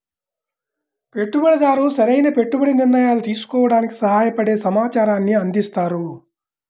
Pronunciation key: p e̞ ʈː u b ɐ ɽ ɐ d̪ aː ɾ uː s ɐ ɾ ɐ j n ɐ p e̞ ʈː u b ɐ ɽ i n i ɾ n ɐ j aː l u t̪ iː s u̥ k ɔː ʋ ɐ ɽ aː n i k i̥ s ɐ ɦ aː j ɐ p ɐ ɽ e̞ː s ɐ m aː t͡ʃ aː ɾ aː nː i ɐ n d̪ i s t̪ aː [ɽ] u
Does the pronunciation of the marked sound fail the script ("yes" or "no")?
yes